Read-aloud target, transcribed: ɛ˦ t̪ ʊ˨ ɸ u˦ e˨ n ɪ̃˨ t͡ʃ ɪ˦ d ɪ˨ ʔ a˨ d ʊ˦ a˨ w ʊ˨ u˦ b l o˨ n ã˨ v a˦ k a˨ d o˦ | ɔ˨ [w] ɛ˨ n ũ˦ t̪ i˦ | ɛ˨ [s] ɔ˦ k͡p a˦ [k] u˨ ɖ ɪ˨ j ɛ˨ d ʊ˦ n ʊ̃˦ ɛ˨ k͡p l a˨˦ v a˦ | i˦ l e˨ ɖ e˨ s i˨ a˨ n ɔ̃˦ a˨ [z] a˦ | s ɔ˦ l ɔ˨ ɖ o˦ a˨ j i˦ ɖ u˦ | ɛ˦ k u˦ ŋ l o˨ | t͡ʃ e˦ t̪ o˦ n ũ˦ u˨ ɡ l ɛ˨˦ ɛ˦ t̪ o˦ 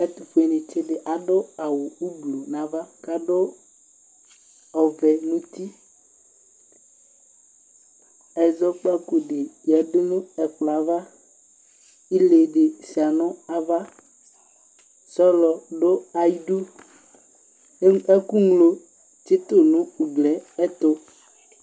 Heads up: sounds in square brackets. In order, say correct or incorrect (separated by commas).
incorrect, incorrect, correct, incorrect